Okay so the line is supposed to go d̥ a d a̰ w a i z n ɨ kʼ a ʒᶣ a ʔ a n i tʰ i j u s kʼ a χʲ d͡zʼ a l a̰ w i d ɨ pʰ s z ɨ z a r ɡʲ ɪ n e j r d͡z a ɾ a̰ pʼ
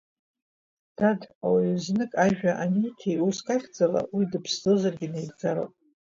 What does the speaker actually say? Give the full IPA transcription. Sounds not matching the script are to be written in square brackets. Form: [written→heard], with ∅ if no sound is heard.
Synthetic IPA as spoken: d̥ a d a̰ w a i z n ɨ kʼ a ʒᶣ a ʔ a n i tʰ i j u s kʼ a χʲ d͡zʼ a l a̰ w i d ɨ pʰ s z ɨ z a r ɡʲ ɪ n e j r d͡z a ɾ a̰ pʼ